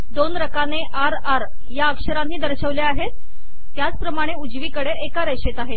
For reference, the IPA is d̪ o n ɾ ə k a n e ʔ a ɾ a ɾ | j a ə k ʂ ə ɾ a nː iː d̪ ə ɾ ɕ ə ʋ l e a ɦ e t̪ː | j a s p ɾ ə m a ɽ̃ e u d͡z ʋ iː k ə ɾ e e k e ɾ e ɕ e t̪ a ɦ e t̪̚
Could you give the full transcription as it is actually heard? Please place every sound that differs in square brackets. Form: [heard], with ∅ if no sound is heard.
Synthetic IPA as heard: d̪ o n ɾ ə k a n e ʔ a ɾ a ɾ | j a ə k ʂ ə ɾ a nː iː d̪ ə ɾ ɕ ə ʋ l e a ɦ e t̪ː | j a [t͡s] p ɾ ə m a ɽ̃ e u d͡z ʋ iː k ə [ɽ] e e k [a] ɾ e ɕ e t̪ a ɦ e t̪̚